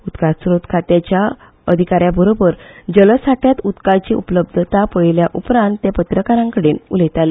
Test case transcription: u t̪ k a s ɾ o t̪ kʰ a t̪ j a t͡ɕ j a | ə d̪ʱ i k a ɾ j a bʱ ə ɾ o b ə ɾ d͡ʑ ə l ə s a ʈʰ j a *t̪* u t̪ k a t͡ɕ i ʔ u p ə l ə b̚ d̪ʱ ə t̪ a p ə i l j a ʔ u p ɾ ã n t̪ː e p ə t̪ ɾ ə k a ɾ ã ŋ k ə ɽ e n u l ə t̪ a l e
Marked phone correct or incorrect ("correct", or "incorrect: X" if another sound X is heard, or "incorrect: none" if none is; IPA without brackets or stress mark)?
correct